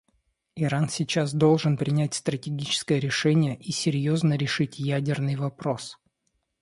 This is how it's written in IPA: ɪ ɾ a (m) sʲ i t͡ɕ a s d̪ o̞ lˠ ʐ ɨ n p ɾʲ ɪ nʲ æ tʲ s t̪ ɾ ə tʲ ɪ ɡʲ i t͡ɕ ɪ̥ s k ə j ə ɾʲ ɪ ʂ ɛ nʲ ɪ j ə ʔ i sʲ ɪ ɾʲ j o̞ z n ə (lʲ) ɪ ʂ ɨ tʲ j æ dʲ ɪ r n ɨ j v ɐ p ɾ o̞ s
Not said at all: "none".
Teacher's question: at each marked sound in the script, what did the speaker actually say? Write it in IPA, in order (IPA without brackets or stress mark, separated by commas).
n, ɾʲ